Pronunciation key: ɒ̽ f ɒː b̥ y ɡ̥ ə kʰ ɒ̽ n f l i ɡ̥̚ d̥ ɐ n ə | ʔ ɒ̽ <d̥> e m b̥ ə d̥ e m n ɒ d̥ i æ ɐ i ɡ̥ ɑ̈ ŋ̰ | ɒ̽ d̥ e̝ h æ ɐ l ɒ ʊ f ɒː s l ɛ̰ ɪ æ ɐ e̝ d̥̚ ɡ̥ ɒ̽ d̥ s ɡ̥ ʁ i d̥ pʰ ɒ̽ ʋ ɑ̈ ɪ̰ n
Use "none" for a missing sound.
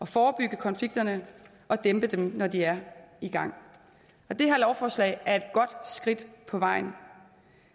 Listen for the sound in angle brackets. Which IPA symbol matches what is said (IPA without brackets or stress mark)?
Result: d̥